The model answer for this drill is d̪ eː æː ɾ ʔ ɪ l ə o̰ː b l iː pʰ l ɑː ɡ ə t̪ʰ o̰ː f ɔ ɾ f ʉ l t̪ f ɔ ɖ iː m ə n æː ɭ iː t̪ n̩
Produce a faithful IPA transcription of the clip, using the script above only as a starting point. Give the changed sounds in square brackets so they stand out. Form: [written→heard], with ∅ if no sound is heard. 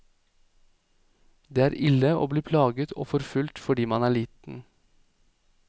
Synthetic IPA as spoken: d̪ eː æː ɾ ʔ ɪ l ə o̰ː b l iː pʰ l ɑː ɡ ə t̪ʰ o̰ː f ɔ ɾ f ʉ l t̪ f ɔ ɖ iː m [ə→ɑ] n æː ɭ iː t̪ n̩